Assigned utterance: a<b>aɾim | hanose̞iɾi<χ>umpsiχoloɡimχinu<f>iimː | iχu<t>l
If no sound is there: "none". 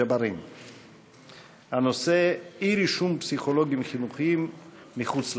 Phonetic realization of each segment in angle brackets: b, ʃ, χ, t͡s

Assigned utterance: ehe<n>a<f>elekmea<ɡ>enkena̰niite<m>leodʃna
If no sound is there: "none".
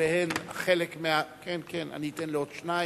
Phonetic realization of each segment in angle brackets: n, χ, k, n

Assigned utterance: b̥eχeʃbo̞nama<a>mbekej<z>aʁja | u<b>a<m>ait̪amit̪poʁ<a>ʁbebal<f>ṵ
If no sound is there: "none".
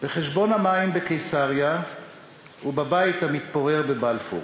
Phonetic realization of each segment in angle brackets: i, s, b, b, e, f

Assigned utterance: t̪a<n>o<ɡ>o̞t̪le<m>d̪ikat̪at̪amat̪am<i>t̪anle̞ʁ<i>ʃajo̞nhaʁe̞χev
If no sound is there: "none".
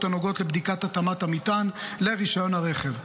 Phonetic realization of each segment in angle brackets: n, ɡ, b, i, i

